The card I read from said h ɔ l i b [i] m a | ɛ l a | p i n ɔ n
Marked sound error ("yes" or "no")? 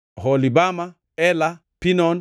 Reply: yes